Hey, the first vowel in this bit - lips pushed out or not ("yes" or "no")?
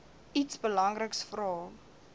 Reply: no